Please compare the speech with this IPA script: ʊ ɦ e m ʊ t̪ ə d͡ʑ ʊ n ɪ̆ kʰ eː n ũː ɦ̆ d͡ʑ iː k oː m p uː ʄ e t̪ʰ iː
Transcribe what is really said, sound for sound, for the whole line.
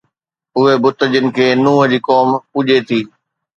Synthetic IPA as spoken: ʊ ɦ e b ʊ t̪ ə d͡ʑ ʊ n ɪ̆ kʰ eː n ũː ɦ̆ d͡ʑ iː k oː m p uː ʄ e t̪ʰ iː